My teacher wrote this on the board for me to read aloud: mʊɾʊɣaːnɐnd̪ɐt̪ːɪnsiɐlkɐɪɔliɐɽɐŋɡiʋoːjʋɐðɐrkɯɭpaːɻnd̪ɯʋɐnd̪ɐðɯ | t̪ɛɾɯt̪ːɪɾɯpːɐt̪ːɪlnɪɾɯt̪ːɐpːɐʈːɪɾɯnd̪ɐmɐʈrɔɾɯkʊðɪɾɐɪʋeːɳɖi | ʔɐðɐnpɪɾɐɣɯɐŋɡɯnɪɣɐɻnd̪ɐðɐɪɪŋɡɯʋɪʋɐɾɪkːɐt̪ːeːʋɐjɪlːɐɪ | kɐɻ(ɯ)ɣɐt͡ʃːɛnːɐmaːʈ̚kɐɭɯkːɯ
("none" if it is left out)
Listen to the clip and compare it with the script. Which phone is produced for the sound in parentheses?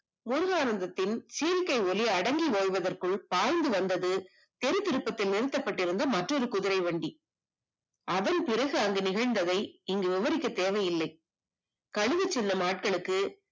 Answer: ɯ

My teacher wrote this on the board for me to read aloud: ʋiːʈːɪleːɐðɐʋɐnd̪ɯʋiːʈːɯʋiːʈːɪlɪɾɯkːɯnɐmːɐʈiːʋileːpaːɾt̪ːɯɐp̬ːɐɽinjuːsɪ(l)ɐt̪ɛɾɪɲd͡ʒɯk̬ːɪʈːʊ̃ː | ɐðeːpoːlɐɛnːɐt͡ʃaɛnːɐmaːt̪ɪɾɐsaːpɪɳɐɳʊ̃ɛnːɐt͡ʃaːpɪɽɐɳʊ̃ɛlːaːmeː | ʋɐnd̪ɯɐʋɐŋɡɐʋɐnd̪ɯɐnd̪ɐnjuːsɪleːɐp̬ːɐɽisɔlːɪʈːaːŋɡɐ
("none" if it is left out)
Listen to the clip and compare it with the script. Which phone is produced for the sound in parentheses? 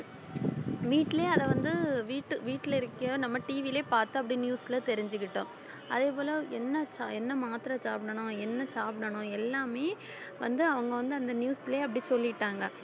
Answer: l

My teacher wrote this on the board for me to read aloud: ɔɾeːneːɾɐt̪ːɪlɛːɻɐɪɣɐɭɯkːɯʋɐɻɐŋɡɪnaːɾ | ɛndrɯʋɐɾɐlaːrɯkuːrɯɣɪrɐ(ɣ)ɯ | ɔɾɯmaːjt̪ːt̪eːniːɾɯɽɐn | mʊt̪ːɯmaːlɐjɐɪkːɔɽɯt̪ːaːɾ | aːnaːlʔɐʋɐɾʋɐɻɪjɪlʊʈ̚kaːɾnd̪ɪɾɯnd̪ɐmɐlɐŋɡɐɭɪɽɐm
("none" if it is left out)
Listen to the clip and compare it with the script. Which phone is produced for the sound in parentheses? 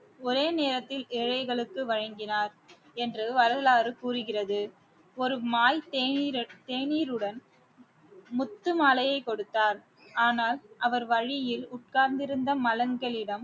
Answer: ð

